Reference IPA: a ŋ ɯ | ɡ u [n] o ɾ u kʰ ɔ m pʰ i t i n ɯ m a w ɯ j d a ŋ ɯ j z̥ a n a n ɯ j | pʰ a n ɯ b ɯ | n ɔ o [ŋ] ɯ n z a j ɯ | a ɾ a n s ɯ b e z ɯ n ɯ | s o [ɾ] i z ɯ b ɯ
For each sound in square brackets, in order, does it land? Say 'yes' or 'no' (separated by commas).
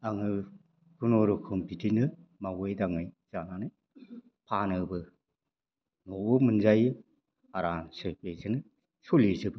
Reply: yes, no, no